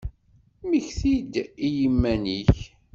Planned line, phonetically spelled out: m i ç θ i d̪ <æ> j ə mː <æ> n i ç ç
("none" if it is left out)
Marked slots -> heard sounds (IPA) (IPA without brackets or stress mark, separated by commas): i, æ